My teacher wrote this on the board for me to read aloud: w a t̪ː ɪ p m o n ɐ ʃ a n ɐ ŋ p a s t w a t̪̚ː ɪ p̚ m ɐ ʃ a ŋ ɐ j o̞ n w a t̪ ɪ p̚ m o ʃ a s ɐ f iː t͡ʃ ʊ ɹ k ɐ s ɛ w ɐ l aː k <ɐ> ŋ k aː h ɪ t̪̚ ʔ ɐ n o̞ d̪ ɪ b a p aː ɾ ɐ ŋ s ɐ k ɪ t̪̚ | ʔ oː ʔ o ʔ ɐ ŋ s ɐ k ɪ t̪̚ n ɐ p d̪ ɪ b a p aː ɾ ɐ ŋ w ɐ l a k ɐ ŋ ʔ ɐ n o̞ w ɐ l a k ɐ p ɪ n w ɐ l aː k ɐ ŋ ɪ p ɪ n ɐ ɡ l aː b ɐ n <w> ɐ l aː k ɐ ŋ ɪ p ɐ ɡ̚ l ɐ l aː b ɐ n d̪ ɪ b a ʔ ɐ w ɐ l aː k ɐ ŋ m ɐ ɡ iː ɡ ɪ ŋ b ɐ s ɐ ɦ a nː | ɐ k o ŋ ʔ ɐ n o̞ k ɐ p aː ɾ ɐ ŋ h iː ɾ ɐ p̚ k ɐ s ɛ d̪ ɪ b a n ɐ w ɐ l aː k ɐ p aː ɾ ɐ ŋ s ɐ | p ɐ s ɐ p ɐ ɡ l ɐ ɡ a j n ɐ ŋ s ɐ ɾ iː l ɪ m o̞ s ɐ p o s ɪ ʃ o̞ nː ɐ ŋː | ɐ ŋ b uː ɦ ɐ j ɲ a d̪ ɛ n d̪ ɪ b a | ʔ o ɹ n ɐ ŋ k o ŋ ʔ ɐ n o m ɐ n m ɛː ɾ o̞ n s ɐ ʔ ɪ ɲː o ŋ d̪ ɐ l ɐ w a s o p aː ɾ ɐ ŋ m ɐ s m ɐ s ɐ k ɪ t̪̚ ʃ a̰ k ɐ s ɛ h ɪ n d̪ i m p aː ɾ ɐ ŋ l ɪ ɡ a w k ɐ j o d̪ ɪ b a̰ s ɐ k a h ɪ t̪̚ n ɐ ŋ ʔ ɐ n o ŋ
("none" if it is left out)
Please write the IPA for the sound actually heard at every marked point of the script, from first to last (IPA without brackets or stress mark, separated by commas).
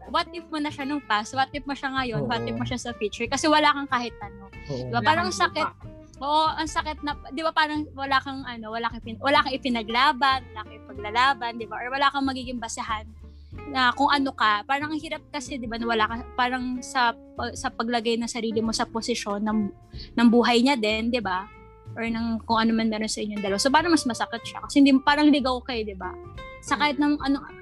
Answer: ɐ, w